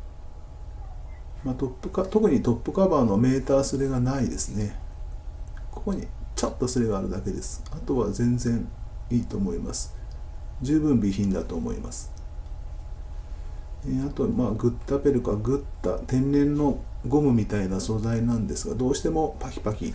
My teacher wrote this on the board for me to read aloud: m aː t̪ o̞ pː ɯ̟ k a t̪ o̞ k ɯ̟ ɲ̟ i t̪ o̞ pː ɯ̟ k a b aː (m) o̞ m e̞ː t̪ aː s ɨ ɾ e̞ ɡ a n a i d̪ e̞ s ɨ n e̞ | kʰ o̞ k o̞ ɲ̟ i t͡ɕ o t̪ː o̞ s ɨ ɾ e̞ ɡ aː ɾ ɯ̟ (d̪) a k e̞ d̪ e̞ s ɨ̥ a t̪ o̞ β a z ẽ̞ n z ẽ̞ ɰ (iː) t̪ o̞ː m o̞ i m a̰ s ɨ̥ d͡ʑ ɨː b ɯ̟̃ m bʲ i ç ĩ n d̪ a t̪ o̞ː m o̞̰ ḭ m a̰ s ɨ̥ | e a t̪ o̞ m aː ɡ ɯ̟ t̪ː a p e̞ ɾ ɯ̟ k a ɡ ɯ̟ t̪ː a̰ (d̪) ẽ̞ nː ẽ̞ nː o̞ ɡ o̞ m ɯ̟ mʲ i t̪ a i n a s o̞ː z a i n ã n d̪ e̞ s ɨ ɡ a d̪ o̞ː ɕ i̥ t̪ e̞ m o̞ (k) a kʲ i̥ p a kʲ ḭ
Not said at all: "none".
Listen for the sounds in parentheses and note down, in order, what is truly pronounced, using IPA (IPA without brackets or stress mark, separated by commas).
n, d̪, iː, t̪, p